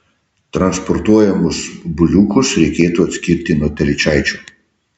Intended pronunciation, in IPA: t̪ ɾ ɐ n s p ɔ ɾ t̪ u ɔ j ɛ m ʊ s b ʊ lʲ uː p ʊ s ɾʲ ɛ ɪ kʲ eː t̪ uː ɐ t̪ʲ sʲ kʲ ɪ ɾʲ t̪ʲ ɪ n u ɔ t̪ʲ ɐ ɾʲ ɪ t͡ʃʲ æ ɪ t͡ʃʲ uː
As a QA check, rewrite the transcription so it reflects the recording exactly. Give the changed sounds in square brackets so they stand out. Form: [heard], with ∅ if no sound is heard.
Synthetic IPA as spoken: t̪ ɾ ɐ n s p ɔ ɾ t̪ u ɔ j ɛ m ʊ s b ʊ lʲ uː [k] ʊ s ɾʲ ɛ ɪ kʲ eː t̪ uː ɐ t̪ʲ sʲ kʲ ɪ ɾʲ t̪ʲ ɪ n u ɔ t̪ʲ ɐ [lʲ] ɪ t͡ʃʲ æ ɪ t͡ʃʲ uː